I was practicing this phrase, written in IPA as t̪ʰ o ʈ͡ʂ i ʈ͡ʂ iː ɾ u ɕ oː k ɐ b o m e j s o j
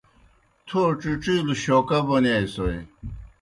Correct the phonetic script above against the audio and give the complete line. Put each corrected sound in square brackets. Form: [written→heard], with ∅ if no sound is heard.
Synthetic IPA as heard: t̪ʰ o ʈ͡ʂ i ʈ͡ʂ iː [ɾ→l] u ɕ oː k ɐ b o [m→n] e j s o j